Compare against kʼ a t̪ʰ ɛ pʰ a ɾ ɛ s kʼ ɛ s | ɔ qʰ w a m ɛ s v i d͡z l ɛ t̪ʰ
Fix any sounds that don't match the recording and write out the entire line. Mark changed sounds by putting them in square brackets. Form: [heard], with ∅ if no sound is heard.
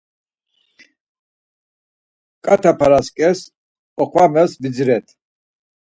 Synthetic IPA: kʼ a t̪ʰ [a] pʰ a ɾ [a] s kʼ ɛ s | ɔ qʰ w a m ɛ s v i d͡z [ɾ] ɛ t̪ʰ